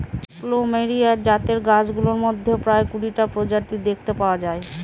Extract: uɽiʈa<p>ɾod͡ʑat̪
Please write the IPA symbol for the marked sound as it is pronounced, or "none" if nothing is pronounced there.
p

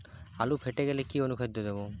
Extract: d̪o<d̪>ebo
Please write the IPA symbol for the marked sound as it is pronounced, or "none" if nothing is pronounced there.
d̪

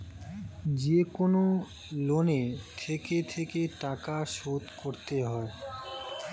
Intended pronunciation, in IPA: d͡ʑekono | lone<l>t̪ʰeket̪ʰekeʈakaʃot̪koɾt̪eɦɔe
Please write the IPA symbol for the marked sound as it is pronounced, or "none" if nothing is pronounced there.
none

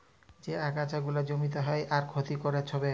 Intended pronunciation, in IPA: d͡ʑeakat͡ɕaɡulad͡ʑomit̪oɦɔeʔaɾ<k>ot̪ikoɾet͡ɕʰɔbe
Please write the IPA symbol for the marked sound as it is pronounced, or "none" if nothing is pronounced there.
kʰ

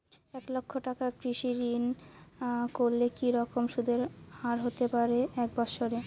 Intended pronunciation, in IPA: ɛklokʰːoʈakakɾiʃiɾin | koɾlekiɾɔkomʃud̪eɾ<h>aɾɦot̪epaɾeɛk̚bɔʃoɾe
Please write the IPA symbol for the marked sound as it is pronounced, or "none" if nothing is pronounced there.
h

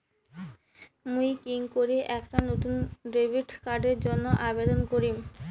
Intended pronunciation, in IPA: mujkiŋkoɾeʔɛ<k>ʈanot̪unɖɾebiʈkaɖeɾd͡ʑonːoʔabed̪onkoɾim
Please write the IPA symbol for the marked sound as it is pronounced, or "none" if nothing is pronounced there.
k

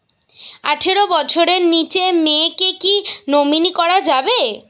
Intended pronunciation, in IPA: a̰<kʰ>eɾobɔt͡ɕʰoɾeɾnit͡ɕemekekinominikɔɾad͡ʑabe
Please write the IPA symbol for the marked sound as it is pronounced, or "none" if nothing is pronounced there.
ʈʰ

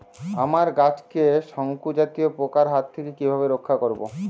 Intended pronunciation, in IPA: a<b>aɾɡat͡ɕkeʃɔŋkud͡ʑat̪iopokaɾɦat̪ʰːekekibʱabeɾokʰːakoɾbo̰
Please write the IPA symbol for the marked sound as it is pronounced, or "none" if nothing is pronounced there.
m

